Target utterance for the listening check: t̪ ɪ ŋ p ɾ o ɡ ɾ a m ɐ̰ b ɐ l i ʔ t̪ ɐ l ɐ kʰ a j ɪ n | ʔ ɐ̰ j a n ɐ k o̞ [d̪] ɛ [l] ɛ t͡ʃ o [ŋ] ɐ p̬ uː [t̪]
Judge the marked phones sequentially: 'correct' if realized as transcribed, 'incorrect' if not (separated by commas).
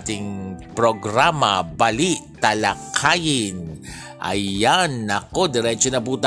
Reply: correct, incorrect, incorrect, correct